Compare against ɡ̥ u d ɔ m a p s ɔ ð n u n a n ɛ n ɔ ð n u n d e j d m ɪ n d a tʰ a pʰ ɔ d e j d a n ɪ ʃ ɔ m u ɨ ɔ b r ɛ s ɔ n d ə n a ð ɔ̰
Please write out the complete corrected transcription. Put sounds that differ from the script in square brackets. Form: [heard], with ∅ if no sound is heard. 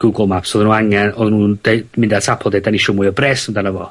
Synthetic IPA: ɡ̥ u [ɡ] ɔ m a p s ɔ ð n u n a [ŋ] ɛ n ɔ ð n u n d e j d m ɪ n d a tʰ a pʰ ɔ d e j d a n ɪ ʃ ɔ m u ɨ ɔ b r ɛ s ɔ n d [a] n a [v] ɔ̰